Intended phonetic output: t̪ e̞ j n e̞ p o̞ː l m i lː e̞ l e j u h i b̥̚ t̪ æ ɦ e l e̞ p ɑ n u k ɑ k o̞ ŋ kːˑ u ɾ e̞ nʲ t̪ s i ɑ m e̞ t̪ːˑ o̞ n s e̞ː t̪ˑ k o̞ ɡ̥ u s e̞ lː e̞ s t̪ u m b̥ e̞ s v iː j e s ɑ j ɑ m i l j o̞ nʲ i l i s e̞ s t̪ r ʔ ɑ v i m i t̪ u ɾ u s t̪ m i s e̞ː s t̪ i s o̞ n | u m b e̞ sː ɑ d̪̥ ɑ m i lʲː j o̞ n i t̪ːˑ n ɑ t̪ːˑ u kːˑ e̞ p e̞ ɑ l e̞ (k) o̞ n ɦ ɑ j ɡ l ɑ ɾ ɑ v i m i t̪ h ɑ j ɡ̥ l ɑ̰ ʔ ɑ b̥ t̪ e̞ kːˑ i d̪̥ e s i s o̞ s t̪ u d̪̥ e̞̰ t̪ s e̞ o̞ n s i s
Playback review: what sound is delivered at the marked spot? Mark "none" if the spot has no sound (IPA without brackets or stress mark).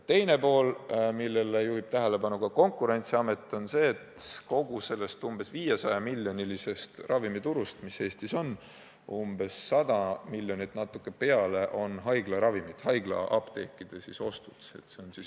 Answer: ʔ